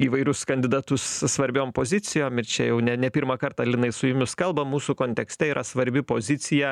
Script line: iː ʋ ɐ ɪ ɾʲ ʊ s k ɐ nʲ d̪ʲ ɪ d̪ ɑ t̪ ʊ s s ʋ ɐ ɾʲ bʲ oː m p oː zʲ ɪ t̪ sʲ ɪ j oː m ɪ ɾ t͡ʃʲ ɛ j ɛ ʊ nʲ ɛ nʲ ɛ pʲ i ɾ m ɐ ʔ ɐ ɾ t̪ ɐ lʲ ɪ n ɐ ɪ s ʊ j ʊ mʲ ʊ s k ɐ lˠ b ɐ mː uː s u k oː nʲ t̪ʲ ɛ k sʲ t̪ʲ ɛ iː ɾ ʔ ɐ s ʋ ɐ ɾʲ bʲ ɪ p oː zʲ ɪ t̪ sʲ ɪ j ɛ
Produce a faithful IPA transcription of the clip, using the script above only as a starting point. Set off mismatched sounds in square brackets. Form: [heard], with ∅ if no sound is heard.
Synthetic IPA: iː ʋ ɐ ɪ ɾʲ ʊ s k ɐ nʲ d̪ʲ ɪ d̪ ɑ t̪ ʊ s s ʋ ɐ ɾʲ bʲ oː m p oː zʲ ɪ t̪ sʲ ɪ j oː m ɪ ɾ t͡ʃʲ ɛ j ɛ ʊ nʲ ɛ nʲ ɛ pʲ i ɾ m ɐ [k] ɐ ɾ t̪ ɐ lʲ ɪ n ɐ ɪ s ʊ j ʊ mʲ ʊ s k ɐ lˠ b ɐ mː uː s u k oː nʲ t̪ʲ ɛ k sʲ t̪ʲ ɛ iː ɾ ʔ ɐ s ʋ ɐ ɾʲ bʲ ɪ p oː zʲ ɪ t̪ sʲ ɪ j ɛ

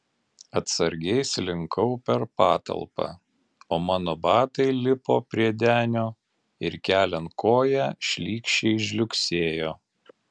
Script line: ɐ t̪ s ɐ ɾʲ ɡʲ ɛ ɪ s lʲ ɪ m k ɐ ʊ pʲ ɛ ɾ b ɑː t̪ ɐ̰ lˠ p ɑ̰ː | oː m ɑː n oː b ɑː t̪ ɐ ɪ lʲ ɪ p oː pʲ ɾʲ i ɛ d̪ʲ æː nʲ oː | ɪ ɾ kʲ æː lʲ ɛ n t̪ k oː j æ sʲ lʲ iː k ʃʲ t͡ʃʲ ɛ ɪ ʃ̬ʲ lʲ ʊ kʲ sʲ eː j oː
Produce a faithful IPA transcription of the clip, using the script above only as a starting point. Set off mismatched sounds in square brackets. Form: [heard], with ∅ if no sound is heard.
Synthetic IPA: ɐ t̪ s ɐ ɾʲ ɡʲ ɛ ɪ s lʲ ɪ [ŋ] k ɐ ʊ pʲ ɛ ɾ [p] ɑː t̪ ɐ̰ lˠ p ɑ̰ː | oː m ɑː n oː b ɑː t̪ ɐ ɪ lʲ ɪ p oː pʲ ɾʲ i ɛ d̪ʲ æː nʲ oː | ɪ ɾ kʲ æː lʲ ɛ n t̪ k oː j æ [ʃʲ] lʲ iː k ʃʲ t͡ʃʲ ɛ ɪ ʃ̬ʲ lʲ ʊ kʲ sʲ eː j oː

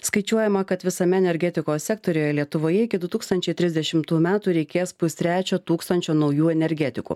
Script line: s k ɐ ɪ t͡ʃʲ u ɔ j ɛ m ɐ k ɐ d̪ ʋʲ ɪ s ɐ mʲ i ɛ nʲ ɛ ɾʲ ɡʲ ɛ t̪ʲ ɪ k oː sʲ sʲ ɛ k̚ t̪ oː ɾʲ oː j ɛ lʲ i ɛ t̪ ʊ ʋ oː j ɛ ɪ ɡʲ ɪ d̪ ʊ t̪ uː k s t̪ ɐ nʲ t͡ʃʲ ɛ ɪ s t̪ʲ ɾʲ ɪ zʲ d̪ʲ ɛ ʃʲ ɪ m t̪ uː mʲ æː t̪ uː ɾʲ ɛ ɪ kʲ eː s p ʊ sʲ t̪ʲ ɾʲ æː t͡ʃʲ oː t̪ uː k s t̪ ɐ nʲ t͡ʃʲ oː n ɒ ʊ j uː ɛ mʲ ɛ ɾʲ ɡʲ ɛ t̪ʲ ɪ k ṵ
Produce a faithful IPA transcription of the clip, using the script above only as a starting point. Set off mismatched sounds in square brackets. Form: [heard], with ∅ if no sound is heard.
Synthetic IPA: s k ɐ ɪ t͡ʃʲ u ɔ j ɛ m ɐ k ɐ [t̪] ʋʲ ɪ s ɐ mʲ [ɛ] ɛ nʲ ɛ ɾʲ ɡʲ ɛ t̪ʲ ɪ k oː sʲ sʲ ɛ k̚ t̪ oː ɾʲ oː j ɛ lʲ i ɛ t̪ ʊ ʋ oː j ɛ ɪ [kʲ] ɪ d̪ ʊ t̪ uː k s t̪ ɐ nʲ t͡ʃʲ ɛ ɪ [∅] t̪ʲ ɾʲ ɪ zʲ d̪ʲ ɛ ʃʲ ɪ m t̪ uː mʲ æː t̪ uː ɾʲ ɛ ɪ kʲ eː s p ʊ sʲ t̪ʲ ɾʲ æː t͡ʃʲ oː t̪ uː k s t̪ ɐ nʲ t͡ʃʲ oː n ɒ ʊ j uː ɛ [nʲ] ɛ ɾʲ ɡʲ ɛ t̪ʲ ɪ k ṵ

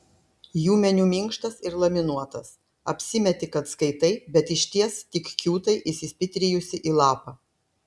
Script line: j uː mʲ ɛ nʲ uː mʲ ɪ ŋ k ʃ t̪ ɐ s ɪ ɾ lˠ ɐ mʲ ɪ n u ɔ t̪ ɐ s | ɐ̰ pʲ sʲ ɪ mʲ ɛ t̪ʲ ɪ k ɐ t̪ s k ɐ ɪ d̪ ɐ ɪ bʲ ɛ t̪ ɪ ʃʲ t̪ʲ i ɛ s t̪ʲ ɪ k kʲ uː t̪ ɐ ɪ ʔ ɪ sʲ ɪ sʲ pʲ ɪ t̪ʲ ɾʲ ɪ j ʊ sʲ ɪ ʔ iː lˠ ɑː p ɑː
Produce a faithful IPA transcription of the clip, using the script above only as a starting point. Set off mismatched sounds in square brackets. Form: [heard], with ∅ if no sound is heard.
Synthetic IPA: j uː mʲ ɛ nʲ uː mʲ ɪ ŋ k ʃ t̪ ɐ s ɪ ɾ lˠ ɐ mʲ ɪ n u ɔ t̪ ɐ s | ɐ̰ pʲ sʲ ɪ mʲ ɛ t̪ʲ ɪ k ɐ t̪ s k ɐ ɪ [t̪] ɐ ɪ bʲ ɛ t̪ ɪ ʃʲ t̪ʲ i ɛ s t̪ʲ ɪ k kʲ uː t̪ ɐ ɪ ʔ ɪ sʲ ɪ sʲ pʲ ɪ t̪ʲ ɾʲ ɪ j ʊ sʲ ɪ ʔ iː lˠ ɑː p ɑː

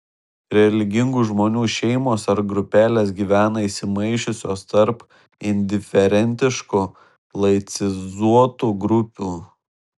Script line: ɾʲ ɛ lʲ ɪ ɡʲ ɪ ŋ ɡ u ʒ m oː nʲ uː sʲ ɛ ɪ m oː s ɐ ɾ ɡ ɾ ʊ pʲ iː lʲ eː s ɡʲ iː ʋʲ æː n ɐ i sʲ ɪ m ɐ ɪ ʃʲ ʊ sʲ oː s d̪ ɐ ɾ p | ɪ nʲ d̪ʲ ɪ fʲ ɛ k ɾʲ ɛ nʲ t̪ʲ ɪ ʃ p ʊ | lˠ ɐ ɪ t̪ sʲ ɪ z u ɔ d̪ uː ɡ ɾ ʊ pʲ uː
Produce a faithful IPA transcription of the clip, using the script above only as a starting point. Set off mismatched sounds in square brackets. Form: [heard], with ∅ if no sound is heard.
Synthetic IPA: ɾʲ ɛ lʲ ɪ ɡʲ ɪ ŋ ɡ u ʒ m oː nʲ uː [ʃʲ] ɛ ɪ m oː s ɐ ɾ ɡ ɾ ʊ pʲ [æː] lʲ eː s ɡʲ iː ʋʲ æː n ɐ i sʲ ɪ m ɐ ɪ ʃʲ ʊ sʲ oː s [t̪] ɐ ɾ p | ɪ nʲ d̪ʲ ɪ fʲ ɛ [∅] ɾʲ ɛ nʲ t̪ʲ ɪ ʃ [k] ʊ | lˠ ɐ ɪ t̪ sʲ ɪ z u ɔ [t̪] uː ɡ ɾ ʊ pʲ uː

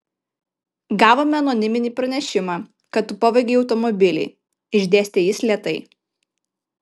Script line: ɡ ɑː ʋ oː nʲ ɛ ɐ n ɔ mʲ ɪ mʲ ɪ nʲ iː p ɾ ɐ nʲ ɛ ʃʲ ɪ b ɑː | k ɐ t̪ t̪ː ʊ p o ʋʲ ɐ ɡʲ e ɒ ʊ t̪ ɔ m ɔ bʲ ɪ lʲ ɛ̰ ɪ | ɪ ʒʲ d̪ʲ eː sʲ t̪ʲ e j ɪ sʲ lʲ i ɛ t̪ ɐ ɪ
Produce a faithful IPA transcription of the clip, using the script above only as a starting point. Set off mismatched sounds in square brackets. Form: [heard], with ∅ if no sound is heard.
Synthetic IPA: ɡ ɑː ʋ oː [mʲ] ɛ ɐ n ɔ [nʲ] ɪ mʲ ɪ nʲ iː p ɾ ɐ nʲ ɛ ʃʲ ɪ [m] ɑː | k ɐ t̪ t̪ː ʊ p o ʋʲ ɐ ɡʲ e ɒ ʊ t̪ ɔ m ɔ bʲ ɪ lʲ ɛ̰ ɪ | ɪ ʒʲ d̪ʲ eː sʲ t̪ʲ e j ɪ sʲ lʲ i ɛ t̪ ɐ ɪ

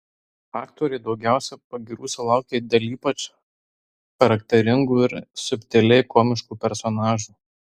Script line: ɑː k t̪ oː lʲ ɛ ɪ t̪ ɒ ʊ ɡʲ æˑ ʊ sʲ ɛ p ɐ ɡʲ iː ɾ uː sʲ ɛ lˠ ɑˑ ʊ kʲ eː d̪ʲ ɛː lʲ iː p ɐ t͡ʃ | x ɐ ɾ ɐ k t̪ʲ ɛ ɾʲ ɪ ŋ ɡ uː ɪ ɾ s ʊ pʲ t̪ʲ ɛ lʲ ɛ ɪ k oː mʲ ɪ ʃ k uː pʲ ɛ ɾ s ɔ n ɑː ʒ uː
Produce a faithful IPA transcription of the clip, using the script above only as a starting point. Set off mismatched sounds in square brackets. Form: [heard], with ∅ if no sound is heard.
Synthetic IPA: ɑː k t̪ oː [ɾʲ] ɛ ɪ [d̪] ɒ ʊ ɡʲ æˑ ʊ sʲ ɛ p ɐ ɡʲ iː ɾ uː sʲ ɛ lˠ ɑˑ ʊ kʲ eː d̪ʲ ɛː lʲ iː p ɐ t͡ʃ | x ɐ ɾ ɐ k t̪ʲ ɛ ɾʲ ɪ ŋ ɡ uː ɪ ɾ s ʊ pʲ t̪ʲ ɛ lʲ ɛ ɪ k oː mʲ ɪ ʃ k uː pʲ ɛ ɾ s ɔ n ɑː ʒ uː

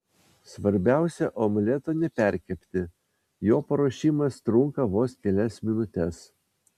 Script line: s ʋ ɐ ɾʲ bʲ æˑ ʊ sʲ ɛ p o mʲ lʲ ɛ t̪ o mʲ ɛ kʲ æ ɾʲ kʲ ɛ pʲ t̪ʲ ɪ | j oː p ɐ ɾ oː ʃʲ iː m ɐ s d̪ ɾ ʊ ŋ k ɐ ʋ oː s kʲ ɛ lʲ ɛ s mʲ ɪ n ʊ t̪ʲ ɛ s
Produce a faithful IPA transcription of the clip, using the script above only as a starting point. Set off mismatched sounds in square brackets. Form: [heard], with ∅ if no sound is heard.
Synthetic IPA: s ʋ ɐ ɾʲ bʲ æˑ ʊ sʲ ɛ [ʔ] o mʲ lʲ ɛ t̪ o [nʲ] ɛ [pʲ] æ ɾʲ kʲ ɛ pʲ t̪ʲ ɪ | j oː p ɐ ɾ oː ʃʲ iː m ɐ s [t̪] ɾ ʊ ŋ k ɐ ʋ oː s kʲ ɛ lʲ ɛ s mʲ ɪ n ʊ t̪ʲ ɛ s

